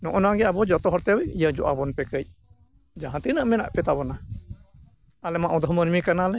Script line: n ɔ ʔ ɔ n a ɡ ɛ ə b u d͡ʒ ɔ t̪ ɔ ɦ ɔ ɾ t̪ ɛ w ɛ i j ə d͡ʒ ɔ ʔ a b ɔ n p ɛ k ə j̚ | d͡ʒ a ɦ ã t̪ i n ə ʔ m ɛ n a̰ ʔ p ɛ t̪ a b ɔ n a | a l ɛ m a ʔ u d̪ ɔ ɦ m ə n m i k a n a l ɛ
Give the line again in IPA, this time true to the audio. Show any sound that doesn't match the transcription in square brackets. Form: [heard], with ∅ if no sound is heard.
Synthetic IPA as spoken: n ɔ ʔ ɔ n a ɡ ɛ [a] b [ɔ] d͡ʒ ɔ t̪ ɔ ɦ ɔ ɾ t̪ ɛ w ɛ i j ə d͡ʒ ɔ ʔ a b ɔ n p ɛ k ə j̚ | d͡ʒ a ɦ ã t̪ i n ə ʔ m ɛ n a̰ ʔ p ɛ t̪ a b ɔ n a | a l ɛ m a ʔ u d̪ ɔ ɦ m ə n m i k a n a l ɛ